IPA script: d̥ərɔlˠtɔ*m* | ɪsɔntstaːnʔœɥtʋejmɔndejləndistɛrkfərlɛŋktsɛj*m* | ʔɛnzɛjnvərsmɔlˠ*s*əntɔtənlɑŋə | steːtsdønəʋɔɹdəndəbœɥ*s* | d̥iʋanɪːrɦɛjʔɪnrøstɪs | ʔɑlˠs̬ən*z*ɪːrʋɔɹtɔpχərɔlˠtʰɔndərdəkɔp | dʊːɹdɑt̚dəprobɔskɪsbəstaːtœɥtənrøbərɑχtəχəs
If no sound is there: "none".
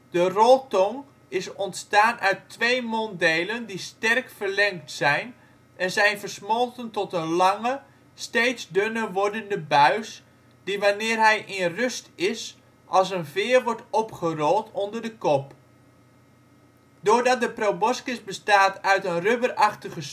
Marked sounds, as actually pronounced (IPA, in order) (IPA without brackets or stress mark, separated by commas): ŋ, n, t, s, v